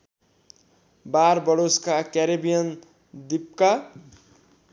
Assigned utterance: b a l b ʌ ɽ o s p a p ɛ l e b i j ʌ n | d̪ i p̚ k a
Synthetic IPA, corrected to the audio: b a ɾ b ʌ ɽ o s k a k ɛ ɾ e b i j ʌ n | d̪ i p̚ k a

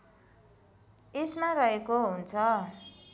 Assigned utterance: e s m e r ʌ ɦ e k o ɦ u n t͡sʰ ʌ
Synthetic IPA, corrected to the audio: e s m a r ʌ ɦ e k o ɦ u n t͡sʰ ʌ

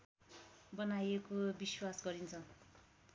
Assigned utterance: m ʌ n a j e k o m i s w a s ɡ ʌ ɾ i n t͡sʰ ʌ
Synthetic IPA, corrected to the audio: b ʌ n a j e k o b i s w a s ɡ ʌ ɾ i n t͡sʰ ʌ

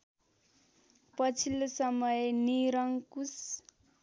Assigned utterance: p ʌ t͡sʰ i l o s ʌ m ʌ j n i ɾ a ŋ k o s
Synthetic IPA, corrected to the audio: p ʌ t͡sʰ i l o s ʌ m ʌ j n i ɾ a ŋ k u s

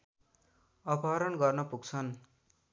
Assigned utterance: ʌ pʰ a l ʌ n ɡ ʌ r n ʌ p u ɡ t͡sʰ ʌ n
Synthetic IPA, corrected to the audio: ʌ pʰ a ɾ ʌ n ɡ ʌ r n ʌ p u ɡ t͡sʰ ʌ n

